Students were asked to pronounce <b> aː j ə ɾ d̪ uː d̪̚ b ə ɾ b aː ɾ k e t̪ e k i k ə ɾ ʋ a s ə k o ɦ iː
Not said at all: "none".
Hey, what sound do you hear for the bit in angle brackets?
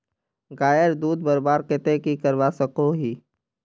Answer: ɡ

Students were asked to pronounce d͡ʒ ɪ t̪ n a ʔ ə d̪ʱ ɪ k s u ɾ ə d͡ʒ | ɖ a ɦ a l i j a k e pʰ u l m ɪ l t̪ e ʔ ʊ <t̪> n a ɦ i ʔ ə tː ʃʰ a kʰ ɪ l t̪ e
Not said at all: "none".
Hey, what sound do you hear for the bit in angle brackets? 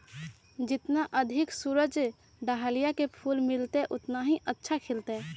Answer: t̪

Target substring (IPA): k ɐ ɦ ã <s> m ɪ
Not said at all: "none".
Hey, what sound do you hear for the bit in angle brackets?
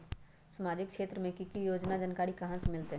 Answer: s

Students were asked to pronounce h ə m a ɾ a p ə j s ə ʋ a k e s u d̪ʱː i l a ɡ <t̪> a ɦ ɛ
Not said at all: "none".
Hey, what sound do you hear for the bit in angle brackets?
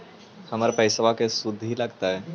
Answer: t̪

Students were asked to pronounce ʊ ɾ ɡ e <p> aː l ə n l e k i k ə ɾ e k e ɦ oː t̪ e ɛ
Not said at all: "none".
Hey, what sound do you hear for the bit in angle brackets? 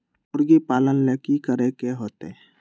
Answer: p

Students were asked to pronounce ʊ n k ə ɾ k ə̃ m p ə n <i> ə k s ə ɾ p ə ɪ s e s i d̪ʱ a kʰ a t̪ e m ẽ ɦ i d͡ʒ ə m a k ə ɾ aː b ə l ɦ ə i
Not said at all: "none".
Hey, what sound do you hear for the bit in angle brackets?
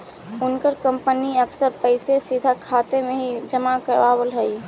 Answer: i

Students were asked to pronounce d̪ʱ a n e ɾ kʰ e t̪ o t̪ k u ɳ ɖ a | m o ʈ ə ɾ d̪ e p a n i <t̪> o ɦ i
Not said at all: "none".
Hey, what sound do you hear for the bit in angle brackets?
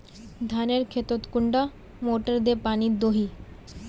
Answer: d̪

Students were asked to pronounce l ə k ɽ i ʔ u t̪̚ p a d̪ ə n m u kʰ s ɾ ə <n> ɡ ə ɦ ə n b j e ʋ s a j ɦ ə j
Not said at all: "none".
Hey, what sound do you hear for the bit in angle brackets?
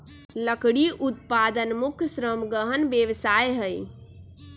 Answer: m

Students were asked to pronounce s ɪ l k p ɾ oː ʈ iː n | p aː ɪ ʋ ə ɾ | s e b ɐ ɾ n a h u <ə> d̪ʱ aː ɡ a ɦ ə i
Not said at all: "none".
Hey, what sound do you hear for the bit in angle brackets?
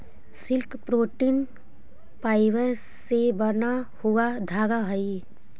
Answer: a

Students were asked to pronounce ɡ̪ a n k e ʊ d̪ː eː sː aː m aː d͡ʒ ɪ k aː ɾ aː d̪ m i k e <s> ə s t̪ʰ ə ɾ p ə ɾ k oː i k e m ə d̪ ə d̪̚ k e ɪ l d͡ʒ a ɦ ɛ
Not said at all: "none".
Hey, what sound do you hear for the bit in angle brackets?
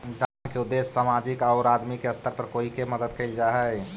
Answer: none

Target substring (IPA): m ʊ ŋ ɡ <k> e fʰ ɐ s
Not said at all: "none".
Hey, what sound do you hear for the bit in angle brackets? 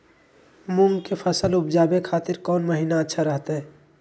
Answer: k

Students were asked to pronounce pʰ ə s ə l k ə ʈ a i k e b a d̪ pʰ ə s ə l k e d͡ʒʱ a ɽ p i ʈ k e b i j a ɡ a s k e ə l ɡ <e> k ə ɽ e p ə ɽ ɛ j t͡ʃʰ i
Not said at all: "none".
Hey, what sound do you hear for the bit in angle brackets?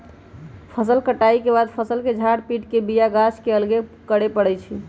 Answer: e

